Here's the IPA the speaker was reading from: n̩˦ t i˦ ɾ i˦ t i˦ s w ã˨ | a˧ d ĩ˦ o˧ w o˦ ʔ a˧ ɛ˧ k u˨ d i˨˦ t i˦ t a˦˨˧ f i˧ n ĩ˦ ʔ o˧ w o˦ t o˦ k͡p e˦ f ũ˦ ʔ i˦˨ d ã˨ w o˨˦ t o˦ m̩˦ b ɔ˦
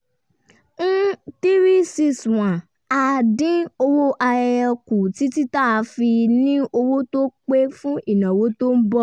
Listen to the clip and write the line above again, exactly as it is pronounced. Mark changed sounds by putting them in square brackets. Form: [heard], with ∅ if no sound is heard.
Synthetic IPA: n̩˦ t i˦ ɾ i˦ [s] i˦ s w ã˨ | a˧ d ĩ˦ o˧ w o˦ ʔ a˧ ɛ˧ k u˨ [t] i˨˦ t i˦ t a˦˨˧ f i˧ n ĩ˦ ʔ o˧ w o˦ t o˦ k͡p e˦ f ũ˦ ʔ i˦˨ [n] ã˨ w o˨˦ t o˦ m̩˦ b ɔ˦